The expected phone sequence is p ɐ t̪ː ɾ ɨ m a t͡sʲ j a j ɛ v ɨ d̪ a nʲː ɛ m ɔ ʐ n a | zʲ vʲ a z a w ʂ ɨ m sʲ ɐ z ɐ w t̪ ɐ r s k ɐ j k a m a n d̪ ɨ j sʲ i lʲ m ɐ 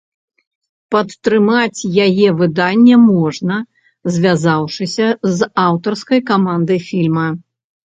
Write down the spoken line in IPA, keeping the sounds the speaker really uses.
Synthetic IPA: p ɐ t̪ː ɾ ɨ m a t͡sʲ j a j ɛ v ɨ d̪ a nʲː ɛ m ɔ ʐ n ɐ | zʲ vʲ a z a w ʂ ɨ sʲ ɐ z a w t̪ ɐ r s k ɐ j k a m a n d̪ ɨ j fʲ i lʲ m ɐ

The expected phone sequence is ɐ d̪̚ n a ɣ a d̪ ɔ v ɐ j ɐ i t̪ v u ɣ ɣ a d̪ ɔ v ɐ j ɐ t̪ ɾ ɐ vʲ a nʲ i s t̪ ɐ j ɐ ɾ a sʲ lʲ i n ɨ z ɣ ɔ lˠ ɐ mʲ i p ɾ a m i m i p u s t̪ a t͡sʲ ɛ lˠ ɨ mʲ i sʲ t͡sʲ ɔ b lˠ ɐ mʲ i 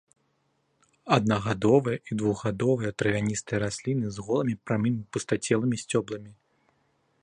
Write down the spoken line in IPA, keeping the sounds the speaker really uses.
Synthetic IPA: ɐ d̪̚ n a ɣ a d̪ ɔ v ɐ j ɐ i d̪ v u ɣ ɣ a d̪ ɔ v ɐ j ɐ t̪ ɾ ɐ vʲ a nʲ i s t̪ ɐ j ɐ ɾ a sʲ lʲ i n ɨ z ɣ ɔ lˠ ɐ mʲ i p ɾ a m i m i p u s t̪ a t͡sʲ ɛ lˠ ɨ mʲ i sʲ t͡sʲ ɔ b lˠ ɐ mʲ i

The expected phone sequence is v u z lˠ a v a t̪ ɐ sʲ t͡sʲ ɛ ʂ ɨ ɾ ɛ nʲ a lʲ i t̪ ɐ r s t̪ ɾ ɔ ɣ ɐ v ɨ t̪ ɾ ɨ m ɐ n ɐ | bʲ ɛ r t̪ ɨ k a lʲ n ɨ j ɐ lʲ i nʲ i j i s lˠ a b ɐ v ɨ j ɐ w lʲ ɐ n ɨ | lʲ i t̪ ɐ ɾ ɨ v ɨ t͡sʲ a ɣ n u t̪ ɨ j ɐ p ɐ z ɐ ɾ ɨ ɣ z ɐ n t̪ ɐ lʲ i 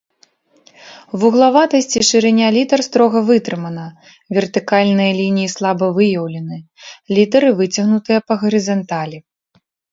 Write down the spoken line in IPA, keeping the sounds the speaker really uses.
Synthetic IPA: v u ɣ lˠ a v a t̪ ɐ sʲ t͡sʲ i ʂ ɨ ɾ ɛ nʲ a lʲ i t̪ ɐ r s t̪ ɾ ɔ ɣ ɐ v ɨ t̪ ɾ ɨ m ɐ n ɐ | vʲ ɛ r t̪ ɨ k a lʲ n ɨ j ɐ lʲ i nʲ i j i s lˠ a b ɐ v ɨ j ɐ w lʲ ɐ n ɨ | lʲ i t̪ ɐ ɾ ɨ v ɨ t͡sʲ ɐ ɣ n u t̪ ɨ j ɐ p ɐ ɣ ɐ ɾ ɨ z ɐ n t̪ a lʲ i

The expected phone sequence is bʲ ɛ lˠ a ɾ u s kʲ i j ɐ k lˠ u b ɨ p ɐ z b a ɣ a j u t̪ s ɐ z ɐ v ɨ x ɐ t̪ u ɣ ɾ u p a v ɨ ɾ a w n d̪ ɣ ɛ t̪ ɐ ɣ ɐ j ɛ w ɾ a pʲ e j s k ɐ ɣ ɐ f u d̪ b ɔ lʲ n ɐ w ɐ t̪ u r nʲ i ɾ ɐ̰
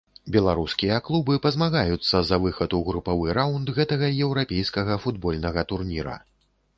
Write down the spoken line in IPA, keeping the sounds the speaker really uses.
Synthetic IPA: bʲ ɛ lˠ a ɾ u s kʲ i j ɐ k lˠ u b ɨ p ɐ z m a ɣ a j u t̪ sː ɐ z ɐ v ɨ x ɐ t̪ u ɣ ɾ u p a v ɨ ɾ a w n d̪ ɣ ɛ t̪ ɐ ɣ ɐ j ɛ w ɾ a pʲ e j s k ɐ ɣ ɐ f u d̪ b ɔ lʲ n ɐ ɣ ɐ t̪ u r nʲ i ɾ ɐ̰

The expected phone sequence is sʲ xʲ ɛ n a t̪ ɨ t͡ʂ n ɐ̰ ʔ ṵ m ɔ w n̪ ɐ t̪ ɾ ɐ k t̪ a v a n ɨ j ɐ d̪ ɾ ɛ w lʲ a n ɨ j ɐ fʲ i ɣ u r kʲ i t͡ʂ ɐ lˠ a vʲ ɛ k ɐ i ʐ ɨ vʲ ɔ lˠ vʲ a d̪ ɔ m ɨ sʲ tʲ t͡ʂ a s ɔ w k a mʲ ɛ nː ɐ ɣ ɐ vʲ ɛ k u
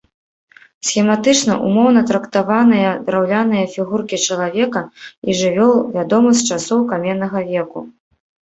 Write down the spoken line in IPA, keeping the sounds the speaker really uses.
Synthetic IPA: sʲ xʲ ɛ m a t̪ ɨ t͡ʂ n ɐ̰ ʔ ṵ m ɔ w n̪ ɐ t̪ ɾ ɐ k t̪ a v a n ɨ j ɐ d̪ ɾ a w lʲ a n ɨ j ɐ fʲ i ɣ u r kʲ i t͡ʂ ɐ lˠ a vʲ ɛ k ɐ i ʐ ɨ vʲ ɔ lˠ vʲ a d̪ ɔ m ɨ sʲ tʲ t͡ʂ a s ɔ w k a mʲ ɛ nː ɐ ɣ ɐ vʲ ɛ k u

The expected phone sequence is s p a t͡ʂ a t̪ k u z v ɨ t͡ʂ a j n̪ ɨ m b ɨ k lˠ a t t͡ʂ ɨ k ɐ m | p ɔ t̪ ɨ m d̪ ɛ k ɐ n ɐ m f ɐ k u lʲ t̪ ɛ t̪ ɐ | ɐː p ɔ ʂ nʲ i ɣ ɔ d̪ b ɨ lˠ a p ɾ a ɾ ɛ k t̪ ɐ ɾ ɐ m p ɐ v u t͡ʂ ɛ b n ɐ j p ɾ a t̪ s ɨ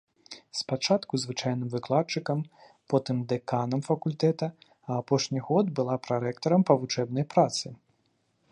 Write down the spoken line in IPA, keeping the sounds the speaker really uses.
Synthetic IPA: s p a t͡ʂ a t̪ k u z v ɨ t͡ʂ a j n̪ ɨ m v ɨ k lˠ a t t͡ʂ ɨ k ɐ m | p ɔ t̪ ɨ m d̪ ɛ k a n ɐ m f ɐ k u lʲ t̪ ɛ t̪ ɐ | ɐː p ɔ ʂ nʲ i ɣ ɔ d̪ b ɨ lˠ a p ɾ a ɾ ɛ k t̪ ɐ ɾ ɐ m p ɐ v u t͡ʂ ɛ b n ɐ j p ɾ a t̪ s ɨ

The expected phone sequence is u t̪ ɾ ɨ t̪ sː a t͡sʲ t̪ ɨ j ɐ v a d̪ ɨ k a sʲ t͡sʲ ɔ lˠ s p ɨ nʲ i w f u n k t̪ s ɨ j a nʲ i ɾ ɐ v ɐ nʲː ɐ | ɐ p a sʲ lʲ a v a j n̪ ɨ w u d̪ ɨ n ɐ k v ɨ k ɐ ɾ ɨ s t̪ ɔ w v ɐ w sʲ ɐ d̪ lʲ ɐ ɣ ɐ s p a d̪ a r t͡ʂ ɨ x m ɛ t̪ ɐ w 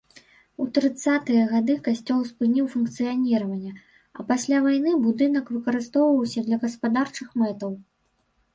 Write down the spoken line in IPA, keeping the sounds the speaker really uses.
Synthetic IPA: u t̪ ɾ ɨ t̪ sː a t̪ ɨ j ɐ ɣ a d̪ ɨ k a sʲ t͡sʲ ɔ lˠ s p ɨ nʲ i w f u n k t̪ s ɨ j a nʲ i ɾ ɐ v ɐ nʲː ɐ | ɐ p a sʲ lʲ a v a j n̪ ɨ b u d̪ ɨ n ɐ k v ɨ k ɐ ɾ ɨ s t̪ ɔ w v ɐ w sʲ ɐ d̪ lʲ ɐ ɣ ɐ s p a d̪ a r t͡ʂ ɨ x m ɛ t̪ ɐ w

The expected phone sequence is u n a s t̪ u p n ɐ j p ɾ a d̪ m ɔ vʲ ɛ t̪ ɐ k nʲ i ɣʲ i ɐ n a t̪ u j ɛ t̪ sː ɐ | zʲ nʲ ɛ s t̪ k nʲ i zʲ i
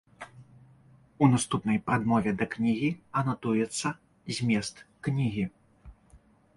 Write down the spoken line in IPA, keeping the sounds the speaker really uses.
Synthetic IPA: u n a s t̪ u p n ɐ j p ɾ a d̪ m ɔ vʲ ɛ d̪ ɐ k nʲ i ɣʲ i ɐ n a t̪ u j ɛ t̪ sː ɐ | zʲ mʲ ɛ s t̪ k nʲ i ɣʲ i

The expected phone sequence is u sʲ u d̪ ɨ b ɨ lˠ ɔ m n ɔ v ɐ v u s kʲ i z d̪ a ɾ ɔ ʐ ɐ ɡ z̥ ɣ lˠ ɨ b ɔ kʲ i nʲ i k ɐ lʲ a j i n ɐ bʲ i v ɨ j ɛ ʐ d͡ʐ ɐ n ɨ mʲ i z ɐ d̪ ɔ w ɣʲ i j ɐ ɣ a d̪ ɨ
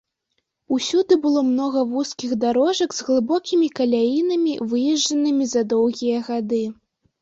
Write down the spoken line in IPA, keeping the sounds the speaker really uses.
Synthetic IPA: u sʲ u d̪ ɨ b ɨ lˠ ɔ m n ɔ ɣ ɐ v u s kʲ i ɣ d̪ a ɾ ɔ ʐ ɐ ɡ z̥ ɣ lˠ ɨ b ɔ kʲ i mʲ i k ɐ lʲ a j i n ɐ mʲ i v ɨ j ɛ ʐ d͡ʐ ɐ n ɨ mʲ i z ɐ d̪ ɔ w ɣʲ i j ɐ ɣ a d̪ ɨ

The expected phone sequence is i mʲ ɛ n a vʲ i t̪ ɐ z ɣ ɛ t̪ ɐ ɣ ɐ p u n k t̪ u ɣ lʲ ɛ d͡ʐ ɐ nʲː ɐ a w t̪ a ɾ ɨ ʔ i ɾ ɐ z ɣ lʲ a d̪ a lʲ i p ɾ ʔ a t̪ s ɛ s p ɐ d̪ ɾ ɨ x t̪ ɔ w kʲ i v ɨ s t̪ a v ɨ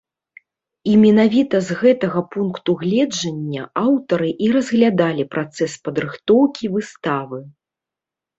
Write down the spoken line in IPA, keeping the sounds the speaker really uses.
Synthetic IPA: i mʲ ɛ n a vʲ i t̪ ɐ z ɣ ɛ t̪ ɐ ɣ ɐ p u n k t̪ u ɣ lʲ ɛ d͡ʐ ɐ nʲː ɐ a w t̪ ɐ ɾ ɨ ʔ i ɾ ɐ z ɣ lʲ a d̪ a lʲ i p ɾ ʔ a t̪ s ɛ s p ɐ d̪ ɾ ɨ x t̪ ɔ w kʲ i v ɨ s t̪ a v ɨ

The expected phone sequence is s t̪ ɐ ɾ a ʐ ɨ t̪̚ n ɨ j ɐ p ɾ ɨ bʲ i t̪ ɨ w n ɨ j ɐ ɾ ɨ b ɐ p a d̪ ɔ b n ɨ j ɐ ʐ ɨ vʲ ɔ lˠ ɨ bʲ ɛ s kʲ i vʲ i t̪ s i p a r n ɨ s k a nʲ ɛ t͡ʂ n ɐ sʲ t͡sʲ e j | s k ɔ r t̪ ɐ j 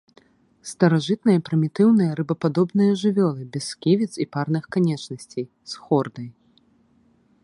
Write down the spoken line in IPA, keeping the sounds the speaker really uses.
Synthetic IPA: s t̪ ɐ ɾ a ʐ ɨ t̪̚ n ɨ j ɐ p ɾ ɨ mʲ i t̪ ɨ w n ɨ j ɐ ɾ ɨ b ɐ p a d̪ ɔ b n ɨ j ɐ ʐ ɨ vʲ ɔ lˠ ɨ bʲ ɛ s kʲ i vʲ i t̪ s i p a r n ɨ x k a nʲ ɛ t͡ʂ n ɐ sʲ t͡sʲ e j | s x ɔ r d̪ ɐ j

